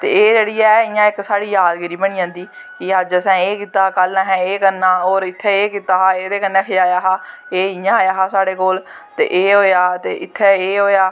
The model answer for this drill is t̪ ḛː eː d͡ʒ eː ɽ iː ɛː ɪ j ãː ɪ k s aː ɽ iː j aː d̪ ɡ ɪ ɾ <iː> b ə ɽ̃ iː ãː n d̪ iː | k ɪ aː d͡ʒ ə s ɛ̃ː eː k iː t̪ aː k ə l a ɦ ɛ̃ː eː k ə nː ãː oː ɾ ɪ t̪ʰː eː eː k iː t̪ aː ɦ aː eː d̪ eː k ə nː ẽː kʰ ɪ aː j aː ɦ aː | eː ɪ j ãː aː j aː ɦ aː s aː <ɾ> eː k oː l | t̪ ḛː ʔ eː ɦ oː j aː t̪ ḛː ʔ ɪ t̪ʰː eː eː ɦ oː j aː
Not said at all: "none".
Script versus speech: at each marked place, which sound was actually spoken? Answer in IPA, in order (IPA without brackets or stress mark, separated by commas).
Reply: iː, ɽ